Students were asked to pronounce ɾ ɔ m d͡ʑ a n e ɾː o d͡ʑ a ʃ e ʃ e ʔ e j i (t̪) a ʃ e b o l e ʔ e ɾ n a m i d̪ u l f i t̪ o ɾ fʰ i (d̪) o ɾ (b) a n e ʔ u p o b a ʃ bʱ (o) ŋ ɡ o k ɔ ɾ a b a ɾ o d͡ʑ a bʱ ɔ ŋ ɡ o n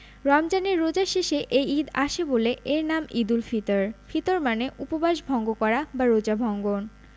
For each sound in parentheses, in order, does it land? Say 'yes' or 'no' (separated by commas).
no, no, no, no